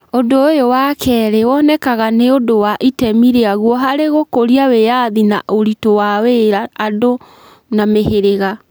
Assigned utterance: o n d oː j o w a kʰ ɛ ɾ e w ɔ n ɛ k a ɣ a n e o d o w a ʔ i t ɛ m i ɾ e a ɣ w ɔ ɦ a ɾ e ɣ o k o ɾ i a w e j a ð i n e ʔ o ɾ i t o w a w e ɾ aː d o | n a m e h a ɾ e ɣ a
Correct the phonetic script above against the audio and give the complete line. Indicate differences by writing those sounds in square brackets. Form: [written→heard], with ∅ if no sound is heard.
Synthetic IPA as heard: o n d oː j o w a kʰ ɛ ɾ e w ɔ n ɛ k a ɣ a n e o d o w a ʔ i t ɛ m i ɾ e a ɣ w ɔ ɦ a ɾ e ɣ o k o ɾ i a w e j a ð i n [e→a] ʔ o ɾ i t o w a w e ɾ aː d o | n a m e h [a→e] ɾ e ɣ a